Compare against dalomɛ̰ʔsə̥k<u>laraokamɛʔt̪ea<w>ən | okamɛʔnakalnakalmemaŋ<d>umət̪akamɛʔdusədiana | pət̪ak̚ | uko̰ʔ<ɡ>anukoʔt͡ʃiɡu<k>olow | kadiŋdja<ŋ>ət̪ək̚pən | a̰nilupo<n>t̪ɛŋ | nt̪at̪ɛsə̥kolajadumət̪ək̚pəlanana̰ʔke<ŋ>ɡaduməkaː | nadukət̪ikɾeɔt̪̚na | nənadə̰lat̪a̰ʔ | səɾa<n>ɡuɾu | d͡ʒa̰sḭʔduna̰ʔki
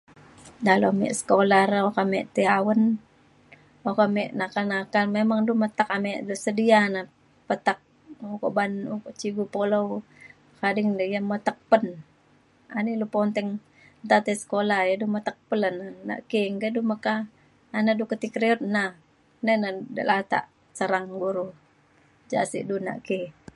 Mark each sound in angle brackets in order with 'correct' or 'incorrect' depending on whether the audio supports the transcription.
incorrect, correct, correct, incorrect, incorrect, incorrect, correct, correct, incorrect

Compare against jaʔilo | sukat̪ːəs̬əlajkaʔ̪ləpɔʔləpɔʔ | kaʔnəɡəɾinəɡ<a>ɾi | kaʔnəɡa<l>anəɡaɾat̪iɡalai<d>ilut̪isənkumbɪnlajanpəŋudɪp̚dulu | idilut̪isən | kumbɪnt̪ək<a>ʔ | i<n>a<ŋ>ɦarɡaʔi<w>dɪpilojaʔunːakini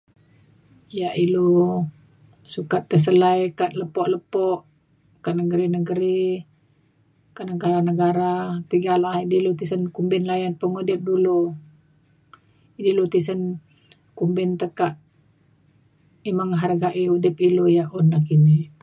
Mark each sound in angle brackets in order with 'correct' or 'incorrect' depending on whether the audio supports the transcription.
incorrect, incorrect, correct, correct, incorrect, correct, incorrect

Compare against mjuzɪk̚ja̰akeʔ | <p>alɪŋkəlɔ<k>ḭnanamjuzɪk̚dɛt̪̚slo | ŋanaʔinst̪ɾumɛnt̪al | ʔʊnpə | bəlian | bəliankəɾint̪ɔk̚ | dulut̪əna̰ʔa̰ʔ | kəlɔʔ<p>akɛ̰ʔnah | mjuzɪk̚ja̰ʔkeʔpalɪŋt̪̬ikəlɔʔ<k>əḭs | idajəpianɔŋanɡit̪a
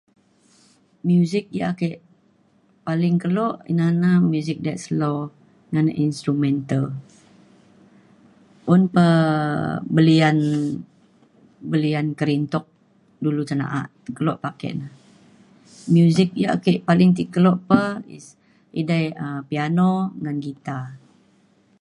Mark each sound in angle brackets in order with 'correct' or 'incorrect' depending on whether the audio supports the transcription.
correct, incorrect, correct, incorrect

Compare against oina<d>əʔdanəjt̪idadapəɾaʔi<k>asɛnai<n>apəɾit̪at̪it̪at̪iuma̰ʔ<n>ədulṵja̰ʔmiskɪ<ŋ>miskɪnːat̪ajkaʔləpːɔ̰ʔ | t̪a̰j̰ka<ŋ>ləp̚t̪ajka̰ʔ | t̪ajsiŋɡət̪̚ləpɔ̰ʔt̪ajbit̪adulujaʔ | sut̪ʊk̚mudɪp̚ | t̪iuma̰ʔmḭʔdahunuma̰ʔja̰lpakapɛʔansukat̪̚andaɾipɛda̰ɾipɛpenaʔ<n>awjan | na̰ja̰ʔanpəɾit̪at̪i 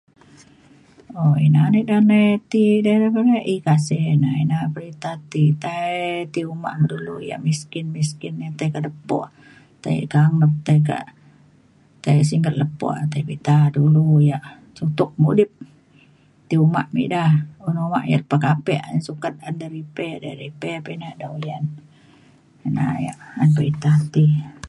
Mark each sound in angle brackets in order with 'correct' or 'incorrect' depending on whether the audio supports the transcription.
incorrect, correct, correct, incorrect, incorrect, correct, incorrect

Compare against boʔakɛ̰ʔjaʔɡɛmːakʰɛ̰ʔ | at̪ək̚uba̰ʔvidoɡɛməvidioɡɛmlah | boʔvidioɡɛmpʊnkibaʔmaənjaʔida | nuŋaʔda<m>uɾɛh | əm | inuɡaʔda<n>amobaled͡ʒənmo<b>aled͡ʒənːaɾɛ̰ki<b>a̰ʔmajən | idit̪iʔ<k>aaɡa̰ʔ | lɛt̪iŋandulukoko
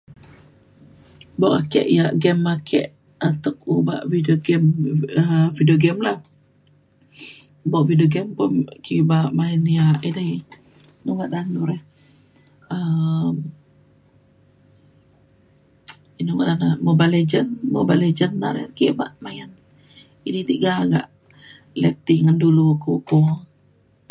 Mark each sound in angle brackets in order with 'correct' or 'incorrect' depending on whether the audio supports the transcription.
incorrect, correct, correct, correct, incorrect

